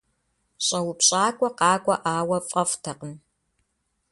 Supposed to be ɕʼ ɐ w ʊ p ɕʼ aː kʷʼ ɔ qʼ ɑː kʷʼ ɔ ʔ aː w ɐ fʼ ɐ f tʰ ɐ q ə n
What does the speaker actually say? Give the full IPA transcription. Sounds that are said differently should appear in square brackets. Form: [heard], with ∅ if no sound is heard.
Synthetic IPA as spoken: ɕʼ ɐ w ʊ p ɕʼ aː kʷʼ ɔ [q] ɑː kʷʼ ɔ ʔ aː w ɐ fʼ ɐ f tʰ ɐ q ə n

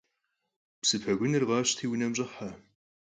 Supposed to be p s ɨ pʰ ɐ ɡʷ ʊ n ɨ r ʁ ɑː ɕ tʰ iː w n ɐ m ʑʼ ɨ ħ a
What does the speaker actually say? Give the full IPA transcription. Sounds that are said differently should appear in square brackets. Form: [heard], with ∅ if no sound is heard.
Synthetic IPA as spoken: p s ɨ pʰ ɐ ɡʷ ʊ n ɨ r ʁ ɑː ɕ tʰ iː w n ɐ m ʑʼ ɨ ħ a

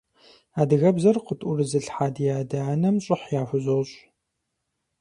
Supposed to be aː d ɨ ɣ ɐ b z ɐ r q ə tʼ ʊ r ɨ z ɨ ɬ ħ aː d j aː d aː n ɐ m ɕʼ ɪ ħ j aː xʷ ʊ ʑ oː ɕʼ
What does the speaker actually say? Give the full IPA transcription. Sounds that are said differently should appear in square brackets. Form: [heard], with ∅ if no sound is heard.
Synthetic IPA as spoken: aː d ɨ ɣ ɐ b z ɐ r q ə tʼ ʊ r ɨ z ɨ ɬ ħ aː d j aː d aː n ɐ m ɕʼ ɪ ħ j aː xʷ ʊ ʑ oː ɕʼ

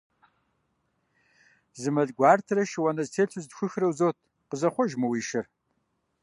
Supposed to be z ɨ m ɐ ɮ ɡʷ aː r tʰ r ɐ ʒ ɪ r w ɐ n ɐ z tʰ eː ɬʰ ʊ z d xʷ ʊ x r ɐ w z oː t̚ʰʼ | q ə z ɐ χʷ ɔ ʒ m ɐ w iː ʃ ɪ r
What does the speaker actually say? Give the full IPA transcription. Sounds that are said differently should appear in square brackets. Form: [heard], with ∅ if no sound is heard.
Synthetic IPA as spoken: z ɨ m ɐ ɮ ɡʷ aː r tʰ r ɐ [ʃ] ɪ [∅] w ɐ n ɐ z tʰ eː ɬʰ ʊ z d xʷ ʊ x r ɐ w z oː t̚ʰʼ | q ə z ɐ χʷ ɔ ʒ m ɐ w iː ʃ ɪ r

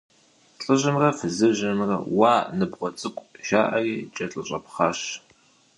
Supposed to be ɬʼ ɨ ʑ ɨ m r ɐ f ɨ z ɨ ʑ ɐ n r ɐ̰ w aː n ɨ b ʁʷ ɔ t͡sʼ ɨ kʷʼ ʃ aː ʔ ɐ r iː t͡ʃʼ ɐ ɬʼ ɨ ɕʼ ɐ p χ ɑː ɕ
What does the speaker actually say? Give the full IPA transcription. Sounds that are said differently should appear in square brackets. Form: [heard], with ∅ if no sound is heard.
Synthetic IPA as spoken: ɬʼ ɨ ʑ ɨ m r ɐ f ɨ z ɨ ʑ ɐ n r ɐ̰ w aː n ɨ b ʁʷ ɔ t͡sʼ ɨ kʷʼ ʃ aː ʔ ɐ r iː t͡ʃʼ ɐ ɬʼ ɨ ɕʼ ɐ p χ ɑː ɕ

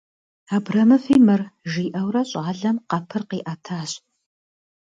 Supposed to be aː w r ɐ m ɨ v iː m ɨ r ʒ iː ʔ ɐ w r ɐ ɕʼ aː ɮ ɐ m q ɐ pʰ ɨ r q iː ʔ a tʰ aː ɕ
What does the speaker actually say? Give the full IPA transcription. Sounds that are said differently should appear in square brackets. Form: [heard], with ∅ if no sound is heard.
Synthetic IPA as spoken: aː [b] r ɐ m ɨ [f] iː m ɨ r ʒ iː ʔ ɐ w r ɐ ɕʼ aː ɮ ɐ m q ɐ pʰ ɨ r q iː ʔ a tʰ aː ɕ

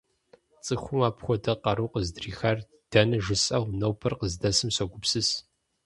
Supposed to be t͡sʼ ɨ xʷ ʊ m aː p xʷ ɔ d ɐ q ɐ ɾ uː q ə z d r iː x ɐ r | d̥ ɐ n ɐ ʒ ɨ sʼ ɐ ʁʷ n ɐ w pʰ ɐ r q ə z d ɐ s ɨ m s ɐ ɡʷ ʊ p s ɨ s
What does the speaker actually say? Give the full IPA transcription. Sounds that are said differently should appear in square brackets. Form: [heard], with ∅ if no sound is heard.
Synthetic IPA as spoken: t͡sʼ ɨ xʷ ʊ m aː p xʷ ɔ d ɐ q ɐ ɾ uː q ə z d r iː x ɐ r | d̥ ɐ n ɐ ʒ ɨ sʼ ɐ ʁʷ n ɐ w pʰ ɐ r q ə z d ɐ s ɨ m s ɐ ɡʷ ʊ p s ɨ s

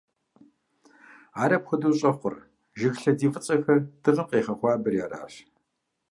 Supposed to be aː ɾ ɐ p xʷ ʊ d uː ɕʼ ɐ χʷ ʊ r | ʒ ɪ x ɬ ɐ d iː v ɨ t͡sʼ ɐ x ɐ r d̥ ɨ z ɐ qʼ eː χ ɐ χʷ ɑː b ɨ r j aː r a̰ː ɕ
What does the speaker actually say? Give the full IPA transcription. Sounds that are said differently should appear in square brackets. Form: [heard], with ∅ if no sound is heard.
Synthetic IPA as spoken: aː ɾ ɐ p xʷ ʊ d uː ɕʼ ɐ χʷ ʊ r | ʒ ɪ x ɬ ɐ d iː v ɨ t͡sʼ ɐ x ɐ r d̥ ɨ [ʁ] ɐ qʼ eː χ ɐ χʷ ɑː b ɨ r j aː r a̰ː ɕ

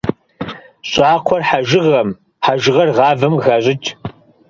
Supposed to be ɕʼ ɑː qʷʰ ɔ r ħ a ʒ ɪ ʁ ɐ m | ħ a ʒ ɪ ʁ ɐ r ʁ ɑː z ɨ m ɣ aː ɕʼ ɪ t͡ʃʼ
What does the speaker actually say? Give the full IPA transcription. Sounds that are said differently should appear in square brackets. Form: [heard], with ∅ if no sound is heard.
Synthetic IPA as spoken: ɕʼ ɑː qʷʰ ɔ r ħ a ʒ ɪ ʁ ɐ m | ħ a ʒ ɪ ʁ ɐ r ʁ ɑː [v] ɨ m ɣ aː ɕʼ ɪ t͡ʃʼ

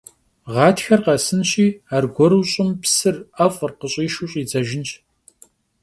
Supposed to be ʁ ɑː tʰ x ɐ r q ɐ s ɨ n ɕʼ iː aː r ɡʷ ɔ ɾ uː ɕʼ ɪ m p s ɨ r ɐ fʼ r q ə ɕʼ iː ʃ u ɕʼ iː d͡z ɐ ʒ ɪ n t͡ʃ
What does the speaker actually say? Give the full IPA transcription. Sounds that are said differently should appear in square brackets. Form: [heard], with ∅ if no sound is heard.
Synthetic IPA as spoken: ʁ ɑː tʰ x ɐ r q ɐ s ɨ n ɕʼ iː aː r ɡʷ ɔ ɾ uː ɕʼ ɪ m p s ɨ r ɐ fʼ r q ə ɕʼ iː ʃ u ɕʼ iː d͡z ɐ ʒ ɪ n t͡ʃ

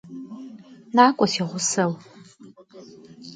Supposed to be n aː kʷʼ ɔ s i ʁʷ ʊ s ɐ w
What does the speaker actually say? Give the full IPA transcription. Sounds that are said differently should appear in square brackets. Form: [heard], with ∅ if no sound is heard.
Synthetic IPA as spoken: n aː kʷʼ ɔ s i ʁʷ ʊ s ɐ w

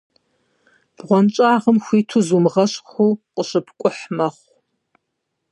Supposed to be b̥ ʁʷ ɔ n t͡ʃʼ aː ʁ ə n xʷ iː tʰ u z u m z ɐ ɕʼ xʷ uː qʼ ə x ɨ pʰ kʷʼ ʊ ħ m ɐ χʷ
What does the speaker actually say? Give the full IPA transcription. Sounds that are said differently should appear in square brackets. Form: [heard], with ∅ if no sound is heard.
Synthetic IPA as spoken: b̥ ʁʷ ɔ n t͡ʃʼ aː ʁ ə [m] xʷ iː tʰ u z u m [ʁ] ɐ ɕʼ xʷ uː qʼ ə [ɕ] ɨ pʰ kʷʼ ʊ ħ m ɐ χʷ

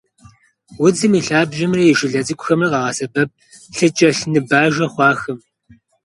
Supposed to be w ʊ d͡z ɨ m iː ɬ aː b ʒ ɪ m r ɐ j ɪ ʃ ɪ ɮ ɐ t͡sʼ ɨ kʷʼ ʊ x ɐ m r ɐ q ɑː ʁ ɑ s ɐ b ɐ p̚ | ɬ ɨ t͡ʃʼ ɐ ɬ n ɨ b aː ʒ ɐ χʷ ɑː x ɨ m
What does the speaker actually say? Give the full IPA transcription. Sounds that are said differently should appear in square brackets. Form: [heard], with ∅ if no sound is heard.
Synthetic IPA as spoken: w ʊ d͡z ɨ m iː ɬ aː b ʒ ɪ m r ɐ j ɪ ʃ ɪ ɮ ɐ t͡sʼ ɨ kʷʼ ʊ x ɐ m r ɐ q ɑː ʁ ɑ s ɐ b ɐ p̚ | ɬ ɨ t͡ʃʼ ɐ ɬ n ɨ b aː ʒ ɐ χʷ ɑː x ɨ m

